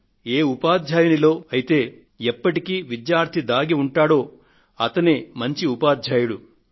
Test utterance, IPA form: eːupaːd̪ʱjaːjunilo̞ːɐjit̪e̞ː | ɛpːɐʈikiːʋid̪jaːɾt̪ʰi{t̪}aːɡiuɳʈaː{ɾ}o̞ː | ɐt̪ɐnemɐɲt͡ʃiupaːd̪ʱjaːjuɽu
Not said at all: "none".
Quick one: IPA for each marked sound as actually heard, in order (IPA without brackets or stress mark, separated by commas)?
d̪, ɽ